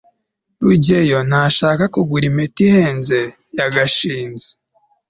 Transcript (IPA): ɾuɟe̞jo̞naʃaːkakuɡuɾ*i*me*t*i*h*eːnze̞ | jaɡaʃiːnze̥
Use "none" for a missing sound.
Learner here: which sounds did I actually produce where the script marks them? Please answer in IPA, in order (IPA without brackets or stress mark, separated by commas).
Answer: i, t, h